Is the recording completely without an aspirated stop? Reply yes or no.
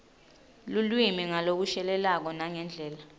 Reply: yes